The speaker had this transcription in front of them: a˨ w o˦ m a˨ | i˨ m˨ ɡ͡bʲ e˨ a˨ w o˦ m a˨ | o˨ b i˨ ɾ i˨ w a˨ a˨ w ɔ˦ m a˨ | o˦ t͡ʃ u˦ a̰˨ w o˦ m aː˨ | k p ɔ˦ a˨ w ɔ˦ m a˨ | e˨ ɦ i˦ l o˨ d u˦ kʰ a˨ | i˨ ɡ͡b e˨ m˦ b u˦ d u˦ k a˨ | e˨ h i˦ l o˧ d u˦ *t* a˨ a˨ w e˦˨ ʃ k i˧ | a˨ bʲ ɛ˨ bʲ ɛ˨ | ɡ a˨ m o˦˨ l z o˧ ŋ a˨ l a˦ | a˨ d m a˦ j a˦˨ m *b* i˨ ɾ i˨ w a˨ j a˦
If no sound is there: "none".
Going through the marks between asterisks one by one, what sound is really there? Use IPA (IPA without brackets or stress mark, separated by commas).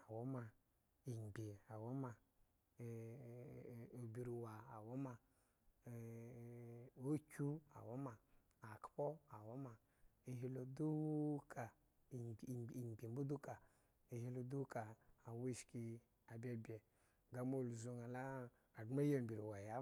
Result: k, b